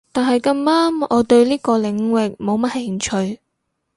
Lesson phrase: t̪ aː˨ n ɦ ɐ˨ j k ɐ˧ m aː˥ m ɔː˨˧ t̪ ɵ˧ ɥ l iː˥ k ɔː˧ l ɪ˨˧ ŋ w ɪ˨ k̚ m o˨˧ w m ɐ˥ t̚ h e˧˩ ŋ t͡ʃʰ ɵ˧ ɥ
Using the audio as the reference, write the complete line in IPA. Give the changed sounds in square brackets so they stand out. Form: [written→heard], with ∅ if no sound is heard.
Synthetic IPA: t̪ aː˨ n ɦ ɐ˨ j k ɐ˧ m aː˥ m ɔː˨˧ t̪ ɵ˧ ɥ l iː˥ k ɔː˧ l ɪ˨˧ ŋ w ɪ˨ k̚ m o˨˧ w m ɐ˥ t̚ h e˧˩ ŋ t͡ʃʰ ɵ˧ ɥ

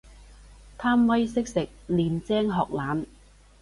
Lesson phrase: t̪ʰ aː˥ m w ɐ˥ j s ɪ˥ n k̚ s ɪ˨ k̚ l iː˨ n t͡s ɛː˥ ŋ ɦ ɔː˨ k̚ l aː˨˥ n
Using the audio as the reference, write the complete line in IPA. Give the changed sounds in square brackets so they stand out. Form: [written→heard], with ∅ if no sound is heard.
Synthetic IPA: t̪ʰ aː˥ m w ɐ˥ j s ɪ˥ [n→∅] k̚ s ɪ˨ k̚ l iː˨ n t͡s ɛː˥ ŋ ɦ ɔː˨ k̚ l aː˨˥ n

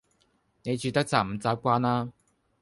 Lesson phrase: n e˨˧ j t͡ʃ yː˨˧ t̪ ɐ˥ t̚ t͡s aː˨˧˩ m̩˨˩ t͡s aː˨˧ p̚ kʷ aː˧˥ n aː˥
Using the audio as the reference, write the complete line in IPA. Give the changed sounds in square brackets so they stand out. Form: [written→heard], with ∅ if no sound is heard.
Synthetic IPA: n e˨˧ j t͡ʃ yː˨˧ t̪ ɐ˥ [t̚→k̚] t͡s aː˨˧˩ m̩˨˩ t͡s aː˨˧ p̚ kʷ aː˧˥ n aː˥

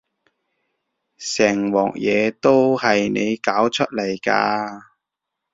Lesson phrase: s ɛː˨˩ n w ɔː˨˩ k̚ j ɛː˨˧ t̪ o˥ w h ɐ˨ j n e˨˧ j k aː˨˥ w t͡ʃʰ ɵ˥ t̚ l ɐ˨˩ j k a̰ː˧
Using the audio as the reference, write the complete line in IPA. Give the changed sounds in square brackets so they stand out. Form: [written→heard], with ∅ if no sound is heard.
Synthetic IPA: s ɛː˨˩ [n→ŋ] w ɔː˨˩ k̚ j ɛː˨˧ t̪ o˥ w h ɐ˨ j n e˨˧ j k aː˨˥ w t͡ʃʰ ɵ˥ t̚ l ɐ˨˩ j k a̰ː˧

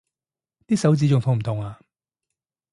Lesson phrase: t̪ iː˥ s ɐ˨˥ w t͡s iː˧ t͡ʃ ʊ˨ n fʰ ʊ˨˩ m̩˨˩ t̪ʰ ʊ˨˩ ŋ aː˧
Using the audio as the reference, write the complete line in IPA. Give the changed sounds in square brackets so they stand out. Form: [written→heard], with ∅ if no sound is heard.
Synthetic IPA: t̪ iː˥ s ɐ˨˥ w t͡s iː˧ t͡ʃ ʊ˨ [n→ŋ] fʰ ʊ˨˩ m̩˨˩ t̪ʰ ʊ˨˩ ŋ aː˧

